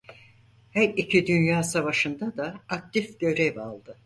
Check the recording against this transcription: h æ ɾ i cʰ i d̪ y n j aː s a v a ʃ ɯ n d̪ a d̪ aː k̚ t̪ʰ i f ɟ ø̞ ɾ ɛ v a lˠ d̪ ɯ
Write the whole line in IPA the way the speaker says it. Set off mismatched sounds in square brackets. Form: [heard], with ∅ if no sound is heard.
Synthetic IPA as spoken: h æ ɾ i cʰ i d̪ y n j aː s a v a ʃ ɯ n d̪ a d̪ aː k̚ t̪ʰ i f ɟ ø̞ ɾ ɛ v a lˠ d̪ ɯ

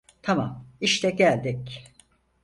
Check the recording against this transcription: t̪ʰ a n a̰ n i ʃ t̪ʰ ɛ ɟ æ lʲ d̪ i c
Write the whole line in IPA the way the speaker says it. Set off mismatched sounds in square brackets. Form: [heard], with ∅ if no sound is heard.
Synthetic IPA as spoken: t̪ʰ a [m] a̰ [m] i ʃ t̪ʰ ɛ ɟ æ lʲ d̪ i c

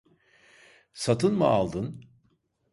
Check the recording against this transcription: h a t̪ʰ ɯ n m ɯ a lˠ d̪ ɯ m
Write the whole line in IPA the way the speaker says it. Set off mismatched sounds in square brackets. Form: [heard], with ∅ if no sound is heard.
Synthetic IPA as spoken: [s] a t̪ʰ ɯ n m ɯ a lˠ d̪ ɯ [n]

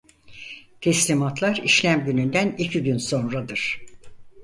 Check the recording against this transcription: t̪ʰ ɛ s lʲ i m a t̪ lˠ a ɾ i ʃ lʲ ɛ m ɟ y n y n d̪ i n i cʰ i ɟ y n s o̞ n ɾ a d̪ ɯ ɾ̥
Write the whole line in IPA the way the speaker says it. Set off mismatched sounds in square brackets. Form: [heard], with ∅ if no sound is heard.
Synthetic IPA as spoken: t̪ʰ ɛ s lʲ i m a t̪ lˠ a ɾ i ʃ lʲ [æ] m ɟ y n y n d̪ [æ] n i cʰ i ɟ y n s o̞ n ɾ a d̪ ɯ ɾ̥

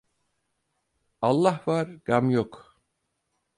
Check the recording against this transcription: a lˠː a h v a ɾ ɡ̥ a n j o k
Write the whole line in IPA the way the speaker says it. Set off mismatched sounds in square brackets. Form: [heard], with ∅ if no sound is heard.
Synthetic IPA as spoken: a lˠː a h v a ɾ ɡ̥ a [m] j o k

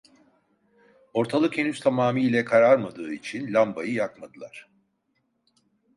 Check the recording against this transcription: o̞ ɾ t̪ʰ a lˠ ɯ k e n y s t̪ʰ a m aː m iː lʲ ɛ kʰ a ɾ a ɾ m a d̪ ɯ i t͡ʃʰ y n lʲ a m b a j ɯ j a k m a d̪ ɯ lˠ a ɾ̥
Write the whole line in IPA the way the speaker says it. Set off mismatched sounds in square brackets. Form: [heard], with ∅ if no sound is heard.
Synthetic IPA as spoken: o̞ ɾ t̪ʰ a lˠ ɯ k e n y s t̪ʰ a m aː m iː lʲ ɛ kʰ a ɾ a ɾ m a d̪ [ɯː] i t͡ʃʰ [i] n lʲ a m b a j ɯ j a k m a d̪ ɯ lˠ a ɾ̥

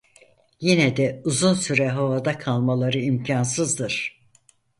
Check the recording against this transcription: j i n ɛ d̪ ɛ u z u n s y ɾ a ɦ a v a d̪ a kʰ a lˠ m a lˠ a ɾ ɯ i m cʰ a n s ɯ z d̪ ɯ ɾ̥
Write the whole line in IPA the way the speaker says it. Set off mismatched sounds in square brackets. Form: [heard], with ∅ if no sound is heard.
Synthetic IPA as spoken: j i n ɛ d̪ ɛ u z u n s y ɾ [ɛ] ɦ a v a d̪ a kʰ a lˠ m a lˠ a ɾ ɯ i m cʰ a n s ɯ z d̪ ɯ ɾ̥

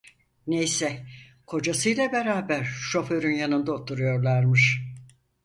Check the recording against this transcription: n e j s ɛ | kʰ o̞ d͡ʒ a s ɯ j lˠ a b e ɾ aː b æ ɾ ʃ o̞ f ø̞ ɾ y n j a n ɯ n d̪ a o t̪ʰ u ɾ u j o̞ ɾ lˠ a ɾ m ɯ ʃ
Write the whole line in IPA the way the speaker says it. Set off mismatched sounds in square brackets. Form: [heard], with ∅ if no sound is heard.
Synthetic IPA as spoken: n e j s ɛ | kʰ o̞ d͡ʒ a s ɯ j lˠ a b e ɾ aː b æ ɾ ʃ o̞ f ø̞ ɾ y n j a n ɯ n d̪ a o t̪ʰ u ɾ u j o̞ ɾ lˠ a ɾ m ɯ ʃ

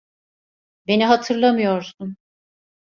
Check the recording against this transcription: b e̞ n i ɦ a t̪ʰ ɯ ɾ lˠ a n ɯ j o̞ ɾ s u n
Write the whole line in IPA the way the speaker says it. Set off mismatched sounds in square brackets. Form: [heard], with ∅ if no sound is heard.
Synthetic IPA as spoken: b e̞ n i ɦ a t̪ʰ ɯ ɾ lˠ a [m] ɯ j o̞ ɾ s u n

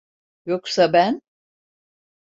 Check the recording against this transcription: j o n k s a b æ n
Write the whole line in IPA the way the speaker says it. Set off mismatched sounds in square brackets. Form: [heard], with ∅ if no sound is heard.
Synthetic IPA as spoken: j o [∅] k s a b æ n

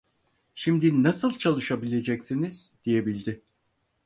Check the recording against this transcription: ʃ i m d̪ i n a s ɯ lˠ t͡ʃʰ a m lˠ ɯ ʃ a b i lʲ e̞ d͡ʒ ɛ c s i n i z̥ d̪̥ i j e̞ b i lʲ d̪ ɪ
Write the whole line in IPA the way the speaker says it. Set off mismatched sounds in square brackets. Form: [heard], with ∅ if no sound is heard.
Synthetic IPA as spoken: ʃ i m d̪ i n a s ɯ lˠ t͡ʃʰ a [∅] lˠ ɯ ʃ a b i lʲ e̞ d͡ʒ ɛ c s i n i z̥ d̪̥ i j e̞ b i lʲ d̪ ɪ

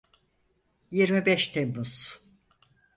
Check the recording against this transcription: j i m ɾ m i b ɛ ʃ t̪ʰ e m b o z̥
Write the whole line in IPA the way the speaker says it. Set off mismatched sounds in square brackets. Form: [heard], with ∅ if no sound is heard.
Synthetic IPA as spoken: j i [∅] ɾ m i b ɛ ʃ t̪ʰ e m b [u] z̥

